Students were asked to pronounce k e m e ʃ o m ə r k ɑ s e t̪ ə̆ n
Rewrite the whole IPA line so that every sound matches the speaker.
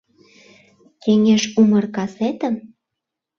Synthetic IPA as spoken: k e ŋ e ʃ u m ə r k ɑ s e t̪ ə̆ m